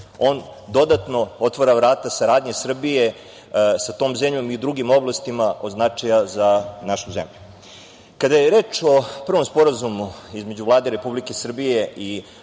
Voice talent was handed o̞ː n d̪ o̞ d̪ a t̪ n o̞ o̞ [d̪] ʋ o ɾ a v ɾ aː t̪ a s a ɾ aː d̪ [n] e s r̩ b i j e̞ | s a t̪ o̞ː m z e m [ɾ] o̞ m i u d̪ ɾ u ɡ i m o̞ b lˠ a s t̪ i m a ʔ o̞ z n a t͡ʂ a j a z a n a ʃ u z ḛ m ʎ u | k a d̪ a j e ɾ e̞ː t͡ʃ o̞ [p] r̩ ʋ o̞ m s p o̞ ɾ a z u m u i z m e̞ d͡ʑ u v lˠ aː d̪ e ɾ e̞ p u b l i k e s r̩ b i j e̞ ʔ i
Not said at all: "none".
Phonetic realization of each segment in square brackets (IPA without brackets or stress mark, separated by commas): t̪, ɲ, ʎ, p